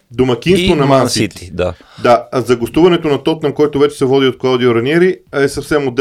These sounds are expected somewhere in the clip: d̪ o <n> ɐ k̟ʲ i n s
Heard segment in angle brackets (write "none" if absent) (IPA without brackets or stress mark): m